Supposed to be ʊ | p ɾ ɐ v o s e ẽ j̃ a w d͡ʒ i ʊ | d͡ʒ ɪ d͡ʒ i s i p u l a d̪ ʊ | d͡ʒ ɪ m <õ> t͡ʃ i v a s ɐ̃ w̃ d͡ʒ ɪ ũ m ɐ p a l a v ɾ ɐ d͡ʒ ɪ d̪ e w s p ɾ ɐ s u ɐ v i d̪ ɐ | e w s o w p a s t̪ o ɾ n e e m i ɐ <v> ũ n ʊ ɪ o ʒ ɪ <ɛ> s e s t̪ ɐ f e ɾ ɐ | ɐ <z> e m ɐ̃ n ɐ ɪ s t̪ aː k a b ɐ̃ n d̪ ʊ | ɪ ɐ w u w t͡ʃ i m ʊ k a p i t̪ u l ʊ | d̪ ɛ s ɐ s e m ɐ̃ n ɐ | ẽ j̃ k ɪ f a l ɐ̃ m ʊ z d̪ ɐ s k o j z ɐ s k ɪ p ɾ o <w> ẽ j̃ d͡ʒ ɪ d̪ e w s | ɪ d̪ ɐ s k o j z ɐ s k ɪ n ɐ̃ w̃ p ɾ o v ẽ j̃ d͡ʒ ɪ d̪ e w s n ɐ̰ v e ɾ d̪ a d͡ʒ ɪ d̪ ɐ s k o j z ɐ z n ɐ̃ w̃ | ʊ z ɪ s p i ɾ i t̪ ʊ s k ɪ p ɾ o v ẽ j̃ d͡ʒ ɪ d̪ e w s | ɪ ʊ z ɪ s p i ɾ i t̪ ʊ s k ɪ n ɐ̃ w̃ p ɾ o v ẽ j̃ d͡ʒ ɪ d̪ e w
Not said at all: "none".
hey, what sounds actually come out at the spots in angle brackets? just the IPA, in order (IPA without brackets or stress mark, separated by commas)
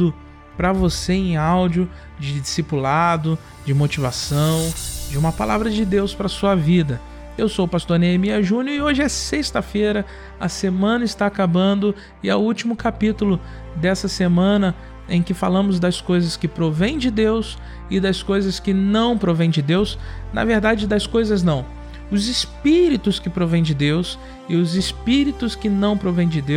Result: o, ʒ, ɛ, s, v